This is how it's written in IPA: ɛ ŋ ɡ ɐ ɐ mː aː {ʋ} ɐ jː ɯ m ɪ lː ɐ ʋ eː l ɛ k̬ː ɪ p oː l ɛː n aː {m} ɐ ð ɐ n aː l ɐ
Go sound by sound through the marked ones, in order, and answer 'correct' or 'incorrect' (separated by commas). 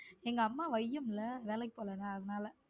correct, incorrect